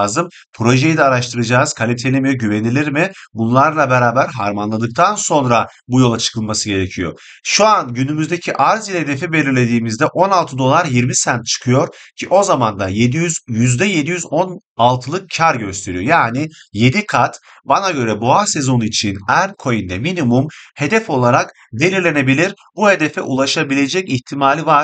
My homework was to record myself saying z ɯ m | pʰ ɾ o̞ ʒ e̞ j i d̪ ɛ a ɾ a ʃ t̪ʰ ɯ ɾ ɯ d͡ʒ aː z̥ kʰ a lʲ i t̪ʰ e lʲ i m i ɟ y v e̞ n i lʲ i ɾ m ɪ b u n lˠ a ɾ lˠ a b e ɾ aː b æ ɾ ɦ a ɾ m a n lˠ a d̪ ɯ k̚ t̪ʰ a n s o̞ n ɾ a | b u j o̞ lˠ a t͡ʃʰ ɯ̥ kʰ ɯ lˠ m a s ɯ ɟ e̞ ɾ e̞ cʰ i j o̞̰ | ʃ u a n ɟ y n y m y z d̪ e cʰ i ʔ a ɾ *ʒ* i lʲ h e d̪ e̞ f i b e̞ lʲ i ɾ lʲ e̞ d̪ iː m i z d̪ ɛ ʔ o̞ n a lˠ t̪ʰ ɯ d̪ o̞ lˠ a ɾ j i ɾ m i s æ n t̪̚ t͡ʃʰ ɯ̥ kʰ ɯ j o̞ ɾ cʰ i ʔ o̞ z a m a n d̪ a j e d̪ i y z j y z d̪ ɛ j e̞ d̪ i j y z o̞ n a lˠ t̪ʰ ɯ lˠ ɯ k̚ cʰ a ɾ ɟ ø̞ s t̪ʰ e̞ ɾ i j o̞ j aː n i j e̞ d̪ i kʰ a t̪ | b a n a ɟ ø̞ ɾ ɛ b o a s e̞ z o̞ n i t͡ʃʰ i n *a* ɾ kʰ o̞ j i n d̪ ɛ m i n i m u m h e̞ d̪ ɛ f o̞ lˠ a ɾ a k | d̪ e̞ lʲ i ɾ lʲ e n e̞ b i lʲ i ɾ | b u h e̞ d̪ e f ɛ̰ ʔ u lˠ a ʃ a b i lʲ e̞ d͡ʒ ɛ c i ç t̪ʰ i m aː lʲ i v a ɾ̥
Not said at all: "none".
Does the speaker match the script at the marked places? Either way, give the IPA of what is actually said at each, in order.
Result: z, æ

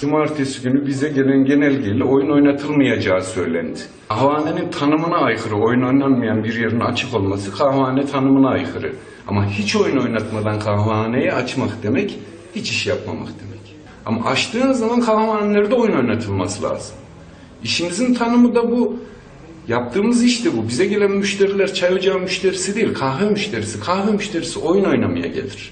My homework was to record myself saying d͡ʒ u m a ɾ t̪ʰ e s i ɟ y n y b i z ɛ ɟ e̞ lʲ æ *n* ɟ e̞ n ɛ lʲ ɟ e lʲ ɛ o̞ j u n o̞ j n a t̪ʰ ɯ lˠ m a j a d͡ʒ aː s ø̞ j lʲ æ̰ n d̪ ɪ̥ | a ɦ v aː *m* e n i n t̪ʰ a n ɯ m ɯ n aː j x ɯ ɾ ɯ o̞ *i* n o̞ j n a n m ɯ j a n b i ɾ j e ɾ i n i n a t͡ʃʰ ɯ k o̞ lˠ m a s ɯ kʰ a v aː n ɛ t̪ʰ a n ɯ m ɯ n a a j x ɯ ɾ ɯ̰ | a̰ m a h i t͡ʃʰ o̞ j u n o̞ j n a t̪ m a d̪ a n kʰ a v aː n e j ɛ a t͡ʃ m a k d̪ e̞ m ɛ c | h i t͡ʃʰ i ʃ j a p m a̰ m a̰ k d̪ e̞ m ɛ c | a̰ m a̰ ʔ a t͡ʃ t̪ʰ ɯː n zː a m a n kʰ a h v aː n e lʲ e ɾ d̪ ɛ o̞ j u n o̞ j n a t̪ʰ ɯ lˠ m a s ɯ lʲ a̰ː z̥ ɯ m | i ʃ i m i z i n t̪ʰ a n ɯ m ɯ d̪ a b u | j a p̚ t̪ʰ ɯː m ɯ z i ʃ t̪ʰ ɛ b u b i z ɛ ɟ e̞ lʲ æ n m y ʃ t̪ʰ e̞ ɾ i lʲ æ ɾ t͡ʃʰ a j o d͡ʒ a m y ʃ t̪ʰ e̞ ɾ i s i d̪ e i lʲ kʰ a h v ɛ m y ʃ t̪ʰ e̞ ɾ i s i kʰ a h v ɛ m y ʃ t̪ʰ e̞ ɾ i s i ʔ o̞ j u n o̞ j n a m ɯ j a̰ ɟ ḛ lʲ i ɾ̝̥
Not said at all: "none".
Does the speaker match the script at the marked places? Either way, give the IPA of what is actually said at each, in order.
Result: n, n, j

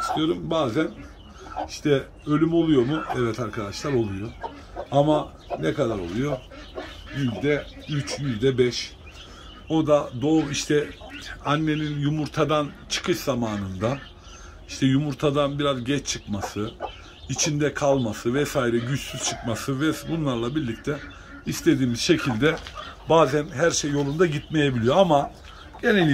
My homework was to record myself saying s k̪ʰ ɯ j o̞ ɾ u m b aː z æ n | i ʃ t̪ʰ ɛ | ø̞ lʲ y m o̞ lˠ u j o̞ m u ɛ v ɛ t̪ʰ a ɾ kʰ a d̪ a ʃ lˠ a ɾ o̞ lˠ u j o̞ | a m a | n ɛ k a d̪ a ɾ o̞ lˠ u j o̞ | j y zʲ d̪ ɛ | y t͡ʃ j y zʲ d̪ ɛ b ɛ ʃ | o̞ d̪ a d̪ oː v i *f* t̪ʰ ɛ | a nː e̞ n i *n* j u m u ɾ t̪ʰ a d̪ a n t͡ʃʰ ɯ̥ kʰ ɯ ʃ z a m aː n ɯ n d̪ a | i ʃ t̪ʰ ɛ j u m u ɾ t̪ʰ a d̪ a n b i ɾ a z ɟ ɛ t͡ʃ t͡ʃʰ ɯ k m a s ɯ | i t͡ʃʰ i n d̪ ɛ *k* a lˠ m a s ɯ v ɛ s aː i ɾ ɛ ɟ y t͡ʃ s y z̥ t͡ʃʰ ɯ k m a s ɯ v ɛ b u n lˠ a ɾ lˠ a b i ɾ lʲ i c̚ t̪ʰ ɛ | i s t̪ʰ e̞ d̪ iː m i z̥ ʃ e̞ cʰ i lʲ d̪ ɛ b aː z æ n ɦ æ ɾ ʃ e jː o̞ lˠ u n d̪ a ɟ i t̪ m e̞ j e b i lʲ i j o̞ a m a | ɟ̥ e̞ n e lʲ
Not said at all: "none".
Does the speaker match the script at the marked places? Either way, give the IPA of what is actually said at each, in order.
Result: ʃ, n, kʰ

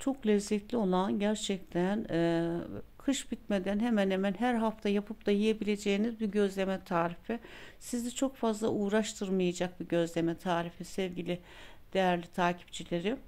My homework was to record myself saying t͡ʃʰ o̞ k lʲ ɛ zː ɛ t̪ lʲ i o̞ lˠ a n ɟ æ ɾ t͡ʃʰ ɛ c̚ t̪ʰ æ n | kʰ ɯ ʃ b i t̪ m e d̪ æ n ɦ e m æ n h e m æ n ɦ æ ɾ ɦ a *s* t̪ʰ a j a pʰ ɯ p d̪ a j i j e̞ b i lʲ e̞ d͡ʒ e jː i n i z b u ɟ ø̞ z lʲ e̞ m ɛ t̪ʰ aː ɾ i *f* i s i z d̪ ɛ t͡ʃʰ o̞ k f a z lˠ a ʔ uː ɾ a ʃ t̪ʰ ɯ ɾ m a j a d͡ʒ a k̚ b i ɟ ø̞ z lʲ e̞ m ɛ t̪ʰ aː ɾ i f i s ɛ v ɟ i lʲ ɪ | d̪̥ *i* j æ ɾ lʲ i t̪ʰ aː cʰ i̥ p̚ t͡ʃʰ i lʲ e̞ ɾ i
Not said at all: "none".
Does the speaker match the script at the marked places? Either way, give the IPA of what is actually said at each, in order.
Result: f, f, e

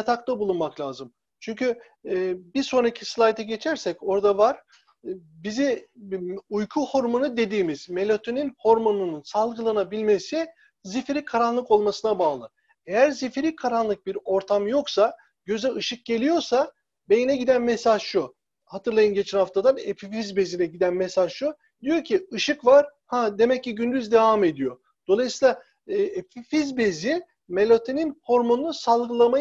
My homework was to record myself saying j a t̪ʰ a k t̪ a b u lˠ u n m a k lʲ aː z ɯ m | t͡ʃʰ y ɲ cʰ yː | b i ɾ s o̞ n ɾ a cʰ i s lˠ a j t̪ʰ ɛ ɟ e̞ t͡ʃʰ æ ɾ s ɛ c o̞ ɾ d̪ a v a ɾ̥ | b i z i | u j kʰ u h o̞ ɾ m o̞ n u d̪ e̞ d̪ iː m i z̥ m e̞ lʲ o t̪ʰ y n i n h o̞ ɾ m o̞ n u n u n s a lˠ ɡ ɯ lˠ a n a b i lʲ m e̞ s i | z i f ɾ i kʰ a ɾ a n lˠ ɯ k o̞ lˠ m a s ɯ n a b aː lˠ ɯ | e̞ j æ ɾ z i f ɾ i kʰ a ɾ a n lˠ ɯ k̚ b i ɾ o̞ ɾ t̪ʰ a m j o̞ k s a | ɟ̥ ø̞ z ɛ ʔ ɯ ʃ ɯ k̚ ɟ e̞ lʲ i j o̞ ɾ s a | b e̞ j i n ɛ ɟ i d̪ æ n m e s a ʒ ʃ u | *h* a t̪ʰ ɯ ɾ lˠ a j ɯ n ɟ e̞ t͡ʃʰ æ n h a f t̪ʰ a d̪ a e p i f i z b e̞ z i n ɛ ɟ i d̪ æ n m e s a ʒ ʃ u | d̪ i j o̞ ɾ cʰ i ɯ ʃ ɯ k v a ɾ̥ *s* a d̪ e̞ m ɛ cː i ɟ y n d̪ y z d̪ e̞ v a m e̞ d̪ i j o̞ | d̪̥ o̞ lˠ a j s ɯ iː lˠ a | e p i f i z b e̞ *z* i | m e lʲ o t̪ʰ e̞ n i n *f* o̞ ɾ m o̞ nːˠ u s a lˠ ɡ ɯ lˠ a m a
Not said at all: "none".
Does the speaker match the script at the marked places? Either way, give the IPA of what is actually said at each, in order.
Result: h, h, z, h

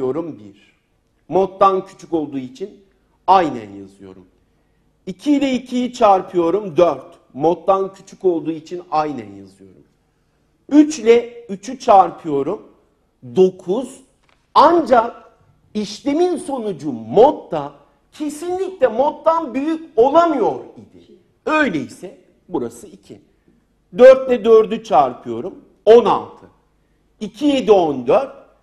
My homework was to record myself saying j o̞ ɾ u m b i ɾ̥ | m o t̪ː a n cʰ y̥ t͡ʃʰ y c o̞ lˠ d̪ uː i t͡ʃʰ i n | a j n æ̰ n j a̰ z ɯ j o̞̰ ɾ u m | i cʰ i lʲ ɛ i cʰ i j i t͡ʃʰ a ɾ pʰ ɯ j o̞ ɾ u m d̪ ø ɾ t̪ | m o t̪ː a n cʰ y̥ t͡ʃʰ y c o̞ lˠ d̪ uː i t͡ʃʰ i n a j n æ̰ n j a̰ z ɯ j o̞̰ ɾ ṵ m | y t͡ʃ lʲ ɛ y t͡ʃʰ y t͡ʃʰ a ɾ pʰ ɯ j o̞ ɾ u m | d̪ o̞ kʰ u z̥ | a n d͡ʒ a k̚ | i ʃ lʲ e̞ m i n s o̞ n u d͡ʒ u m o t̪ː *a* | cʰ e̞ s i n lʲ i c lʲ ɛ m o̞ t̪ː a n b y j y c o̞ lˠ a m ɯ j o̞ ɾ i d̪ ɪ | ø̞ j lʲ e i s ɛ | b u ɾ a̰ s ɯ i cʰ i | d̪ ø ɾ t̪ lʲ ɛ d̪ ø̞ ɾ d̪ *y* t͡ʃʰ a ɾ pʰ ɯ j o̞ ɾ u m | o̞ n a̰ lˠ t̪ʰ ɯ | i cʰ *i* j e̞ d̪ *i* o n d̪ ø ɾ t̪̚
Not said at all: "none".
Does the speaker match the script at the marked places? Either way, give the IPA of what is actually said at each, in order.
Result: a, y, i, i

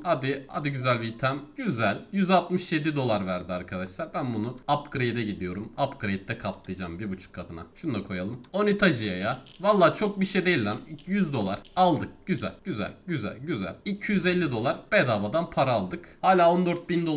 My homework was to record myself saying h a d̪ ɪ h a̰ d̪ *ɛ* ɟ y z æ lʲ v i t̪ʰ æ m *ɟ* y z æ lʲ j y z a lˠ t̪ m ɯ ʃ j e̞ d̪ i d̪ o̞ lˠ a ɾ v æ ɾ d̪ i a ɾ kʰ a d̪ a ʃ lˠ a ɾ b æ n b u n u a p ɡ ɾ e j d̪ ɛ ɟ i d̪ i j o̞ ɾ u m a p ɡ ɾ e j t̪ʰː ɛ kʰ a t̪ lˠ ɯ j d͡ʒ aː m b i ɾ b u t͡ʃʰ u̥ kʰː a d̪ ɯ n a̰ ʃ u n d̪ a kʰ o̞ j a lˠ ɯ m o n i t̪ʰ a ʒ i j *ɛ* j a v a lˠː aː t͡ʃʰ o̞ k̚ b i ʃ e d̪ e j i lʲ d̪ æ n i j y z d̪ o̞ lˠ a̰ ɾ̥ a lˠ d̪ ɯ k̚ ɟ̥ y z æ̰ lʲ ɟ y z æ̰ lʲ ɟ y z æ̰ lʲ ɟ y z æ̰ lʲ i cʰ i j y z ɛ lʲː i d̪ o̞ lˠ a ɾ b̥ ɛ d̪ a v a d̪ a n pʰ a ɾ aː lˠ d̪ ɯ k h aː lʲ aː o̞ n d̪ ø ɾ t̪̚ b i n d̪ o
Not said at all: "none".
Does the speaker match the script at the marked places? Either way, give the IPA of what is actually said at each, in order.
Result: i, ɟ, a

